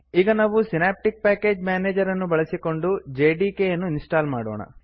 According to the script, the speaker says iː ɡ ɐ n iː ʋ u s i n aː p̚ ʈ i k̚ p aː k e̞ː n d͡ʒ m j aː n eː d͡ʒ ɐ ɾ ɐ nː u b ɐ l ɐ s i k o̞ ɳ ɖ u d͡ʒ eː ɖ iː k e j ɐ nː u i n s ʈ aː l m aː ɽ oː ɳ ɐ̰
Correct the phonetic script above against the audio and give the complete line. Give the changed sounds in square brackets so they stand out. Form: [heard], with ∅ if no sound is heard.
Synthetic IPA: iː ɡ ɐ n [aː] ʋ u s i n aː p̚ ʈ i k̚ p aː k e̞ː [∅] d͡ʒ m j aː n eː d͡ʒ ɐ ɾ ɐ nː u b ɐ [ɭ] ɐ s i k o̞ ɳ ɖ u d͡ʒ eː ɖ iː k e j ɐ nː u i n s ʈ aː l m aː ɽ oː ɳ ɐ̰